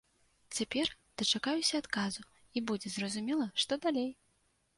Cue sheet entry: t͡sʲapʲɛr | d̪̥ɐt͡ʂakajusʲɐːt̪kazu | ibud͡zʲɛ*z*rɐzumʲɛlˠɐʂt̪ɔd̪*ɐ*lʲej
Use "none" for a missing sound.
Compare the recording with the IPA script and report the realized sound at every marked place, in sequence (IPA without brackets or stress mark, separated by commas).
z, a